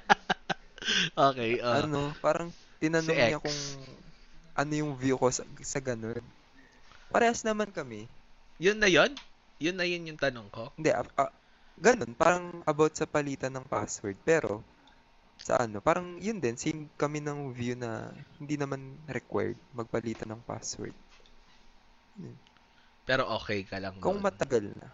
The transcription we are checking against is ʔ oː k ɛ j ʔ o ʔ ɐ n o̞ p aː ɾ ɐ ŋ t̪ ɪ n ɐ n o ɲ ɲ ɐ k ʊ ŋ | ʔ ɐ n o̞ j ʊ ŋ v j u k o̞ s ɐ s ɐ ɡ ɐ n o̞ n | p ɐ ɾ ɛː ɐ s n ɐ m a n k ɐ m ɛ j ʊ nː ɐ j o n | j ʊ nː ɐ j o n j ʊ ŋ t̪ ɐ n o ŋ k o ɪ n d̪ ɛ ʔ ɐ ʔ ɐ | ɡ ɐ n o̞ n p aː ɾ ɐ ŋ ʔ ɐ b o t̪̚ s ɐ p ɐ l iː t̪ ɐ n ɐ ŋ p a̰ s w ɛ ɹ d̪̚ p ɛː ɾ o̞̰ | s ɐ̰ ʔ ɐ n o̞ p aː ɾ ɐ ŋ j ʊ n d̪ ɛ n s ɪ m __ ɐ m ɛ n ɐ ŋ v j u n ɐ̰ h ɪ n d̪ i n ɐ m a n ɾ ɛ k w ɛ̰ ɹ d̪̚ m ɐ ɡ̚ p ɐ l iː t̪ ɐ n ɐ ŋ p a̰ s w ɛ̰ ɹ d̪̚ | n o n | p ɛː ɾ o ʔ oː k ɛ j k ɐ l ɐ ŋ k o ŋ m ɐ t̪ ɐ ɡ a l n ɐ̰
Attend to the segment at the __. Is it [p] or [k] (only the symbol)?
k